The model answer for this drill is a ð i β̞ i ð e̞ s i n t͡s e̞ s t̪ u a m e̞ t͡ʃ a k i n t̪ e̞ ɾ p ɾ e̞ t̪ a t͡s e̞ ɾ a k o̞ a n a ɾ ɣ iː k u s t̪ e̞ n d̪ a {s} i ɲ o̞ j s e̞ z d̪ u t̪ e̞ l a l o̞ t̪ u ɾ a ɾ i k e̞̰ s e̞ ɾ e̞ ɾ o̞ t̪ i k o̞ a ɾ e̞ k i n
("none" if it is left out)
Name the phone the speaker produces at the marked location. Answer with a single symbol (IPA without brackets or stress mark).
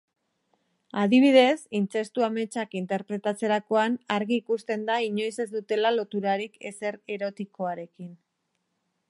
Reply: none